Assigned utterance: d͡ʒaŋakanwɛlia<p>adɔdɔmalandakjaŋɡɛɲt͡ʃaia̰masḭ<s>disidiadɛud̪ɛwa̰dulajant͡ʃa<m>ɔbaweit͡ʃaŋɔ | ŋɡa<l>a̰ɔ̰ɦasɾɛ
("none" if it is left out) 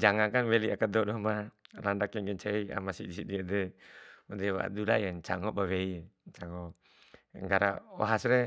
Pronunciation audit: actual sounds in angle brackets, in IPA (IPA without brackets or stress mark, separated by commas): k, none, ŋ, ɾ